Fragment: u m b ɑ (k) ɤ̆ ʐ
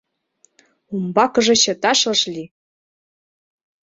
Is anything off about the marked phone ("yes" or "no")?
no